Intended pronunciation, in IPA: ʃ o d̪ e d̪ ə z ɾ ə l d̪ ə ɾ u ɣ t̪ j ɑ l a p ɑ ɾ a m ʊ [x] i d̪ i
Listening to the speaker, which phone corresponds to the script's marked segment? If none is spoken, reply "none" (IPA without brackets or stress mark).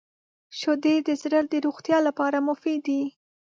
f